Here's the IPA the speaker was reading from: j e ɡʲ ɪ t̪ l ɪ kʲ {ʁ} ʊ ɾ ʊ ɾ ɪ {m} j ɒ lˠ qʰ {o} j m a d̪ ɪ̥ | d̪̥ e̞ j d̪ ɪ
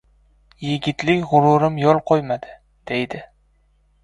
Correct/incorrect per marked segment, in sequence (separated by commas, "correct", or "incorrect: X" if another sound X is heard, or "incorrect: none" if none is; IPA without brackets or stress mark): correct, correct, correct